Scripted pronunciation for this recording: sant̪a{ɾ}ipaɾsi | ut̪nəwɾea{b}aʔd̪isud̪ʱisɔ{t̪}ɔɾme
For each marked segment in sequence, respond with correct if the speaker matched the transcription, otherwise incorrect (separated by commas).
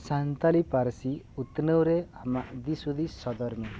incorrect, incorrect, incorrect